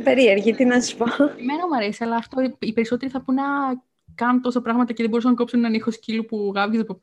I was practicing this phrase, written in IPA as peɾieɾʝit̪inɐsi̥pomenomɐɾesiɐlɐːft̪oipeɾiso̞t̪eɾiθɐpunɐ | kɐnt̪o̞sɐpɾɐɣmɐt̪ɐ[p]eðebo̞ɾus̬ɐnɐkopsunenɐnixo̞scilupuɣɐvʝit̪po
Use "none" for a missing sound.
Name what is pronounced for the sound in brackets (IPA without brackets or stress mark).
c